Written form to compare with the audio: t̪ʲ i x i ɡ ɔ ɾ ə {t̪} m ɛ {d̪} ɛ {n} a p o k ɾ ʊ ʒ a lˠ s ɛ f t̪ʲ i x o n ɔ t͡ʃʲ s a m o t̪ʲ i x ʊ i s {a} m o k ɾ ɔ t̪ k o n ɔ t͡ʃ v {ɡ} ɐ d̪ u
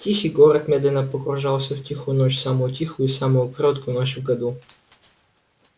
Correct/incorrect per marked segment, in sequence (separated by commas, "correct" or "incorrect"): correct, correct, correct, correct, correct